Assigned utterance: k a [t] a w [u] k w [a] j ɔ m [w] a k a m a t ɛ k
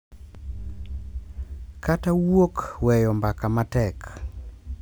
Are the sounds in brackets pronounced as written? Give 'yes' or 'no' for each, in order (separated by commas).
yes, no, no, no